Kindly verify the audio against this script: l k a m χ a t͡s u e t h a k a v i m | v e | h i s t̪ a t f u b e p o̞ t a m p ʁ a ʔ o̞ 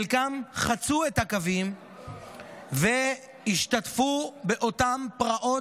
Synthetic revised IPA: l k a m χ a t͡s u e t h a k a v i m | v e | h i ʃ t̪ a t f u b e ʔ o̞ t a m p ʁ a ʔ o̞

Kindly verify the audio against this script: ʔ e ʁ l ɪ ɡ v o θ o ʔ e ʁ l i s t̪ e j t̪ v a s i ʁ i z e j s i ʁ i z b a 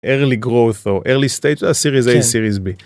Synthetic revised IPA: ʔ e ʁ l i ɡ ʁ o θ o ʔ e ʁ l i s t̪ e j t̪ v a s i ʁ i z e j s i ʁ i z b i

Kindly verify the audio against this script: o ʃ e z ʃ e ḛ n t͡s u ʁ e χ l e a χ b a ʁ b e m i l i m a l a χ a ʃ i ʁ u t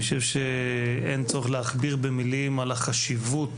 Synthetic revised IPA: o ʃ e v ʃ e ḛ n t͡s o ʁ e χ l e a χ b i ʁ b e m i l i m a l a χ a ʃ i v u t

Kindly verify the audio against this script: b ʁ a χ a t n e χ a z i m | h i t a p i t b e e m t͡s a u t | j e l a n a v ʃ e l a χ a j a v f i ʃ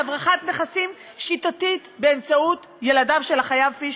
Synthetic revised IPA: b ʁ a χ a t n e χ a s i m | ʃ i t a t i t b e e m t͡s a u t | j e l a d a v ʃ e l a χ a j a v f i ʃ

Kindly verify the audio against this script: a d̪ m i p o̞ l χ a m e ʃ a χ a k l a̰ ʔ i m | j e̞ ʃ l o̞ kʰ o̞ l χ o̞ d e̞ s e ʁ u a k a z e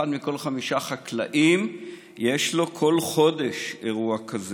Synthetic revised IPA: a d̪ m i k o̞ l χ a m i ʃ a χ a k l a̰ ʔ i m | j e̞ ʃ l o̞ kʰ o̞ l χ o̞ d e̞ ʃ e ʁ u a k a z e

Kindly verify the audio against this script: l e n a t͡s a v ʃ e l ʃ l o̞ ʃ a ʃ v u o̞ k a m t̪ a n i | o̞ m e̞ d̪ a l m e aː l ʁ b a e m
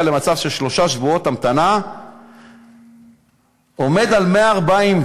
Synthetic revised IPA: l e m a t͡s a v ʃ e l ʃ l o̞ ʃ a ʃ v u o̞ t a m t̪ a n a | o̞ m e̞ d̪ a l m e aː ʁ b a i m

